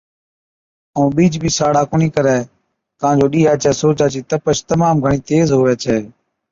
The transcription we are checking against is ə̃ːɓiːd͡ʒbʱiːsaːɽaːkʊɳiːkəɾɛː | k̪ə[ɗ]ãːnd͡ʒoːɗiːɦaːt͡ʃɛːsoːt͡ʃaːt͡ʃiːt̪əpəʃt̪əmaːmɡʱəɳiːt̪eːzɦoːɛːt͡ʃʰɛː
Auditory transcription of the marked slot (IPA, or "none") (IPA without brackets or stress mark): none